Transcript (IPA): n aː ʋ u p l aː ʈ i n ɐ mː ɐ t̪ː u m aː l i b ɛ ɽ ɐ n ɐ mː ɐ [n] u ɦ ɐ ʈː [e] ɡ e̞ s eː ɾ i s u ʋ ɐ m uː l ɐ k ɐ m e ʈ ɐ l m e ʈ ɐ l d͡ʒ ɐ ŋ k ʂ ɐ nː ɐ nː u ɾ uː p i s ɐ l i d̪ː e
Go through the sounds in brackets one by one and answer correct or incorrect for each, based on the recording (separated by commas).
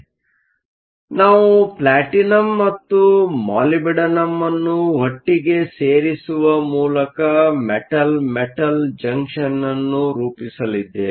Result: incorrect, incorrect